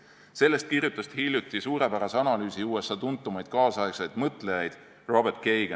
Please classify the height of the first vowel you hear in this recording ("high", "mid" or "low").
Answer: mid